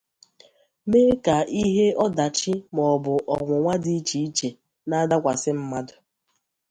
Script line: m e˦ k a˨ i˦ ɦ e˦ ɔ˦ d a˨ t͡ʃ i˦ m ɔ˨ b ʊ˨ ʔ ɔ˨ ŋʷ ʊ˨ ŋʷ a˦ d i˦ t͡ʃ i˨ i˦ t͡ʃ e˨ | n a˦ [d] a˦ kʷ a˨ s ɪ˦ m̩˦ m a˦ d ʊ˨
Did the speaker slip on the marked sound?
no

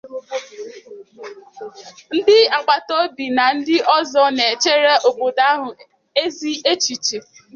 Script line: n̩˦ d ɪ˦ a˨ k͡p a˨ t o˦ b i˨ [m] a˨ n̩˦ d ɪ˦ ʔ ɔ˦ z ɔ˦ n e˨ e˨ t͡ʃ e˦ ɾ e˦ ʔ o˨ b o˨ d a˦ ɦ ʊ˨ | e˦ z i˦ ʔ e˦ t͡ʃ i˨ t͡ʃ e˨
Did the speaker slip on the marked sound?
yes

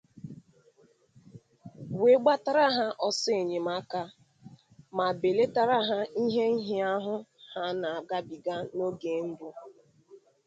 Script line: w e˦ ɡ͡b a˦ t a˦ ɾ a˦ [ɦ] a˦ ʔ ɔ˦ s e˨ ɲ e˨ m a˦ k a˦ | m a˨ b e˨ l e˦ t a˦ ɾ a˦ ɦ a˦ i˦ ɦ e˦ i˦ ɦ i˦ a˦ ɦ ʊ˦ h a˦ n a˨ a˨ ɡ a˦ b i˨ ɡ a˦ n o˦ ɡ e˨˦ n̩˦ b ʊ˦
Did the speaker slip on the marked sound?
no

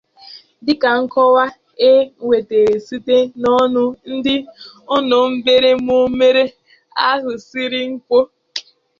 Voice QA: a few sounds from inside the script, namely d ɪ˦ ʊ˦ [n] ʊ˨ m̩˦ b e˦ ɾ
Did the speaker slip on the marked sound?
no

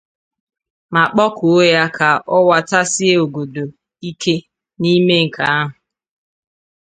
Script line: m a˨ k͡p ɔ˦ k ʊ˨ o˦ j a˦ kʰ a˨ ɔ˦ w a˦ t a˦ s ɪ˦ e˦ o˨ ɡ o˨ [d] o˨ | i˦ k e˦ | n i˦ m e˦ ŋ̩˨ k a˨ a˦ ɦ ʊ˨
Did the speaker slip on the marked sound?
no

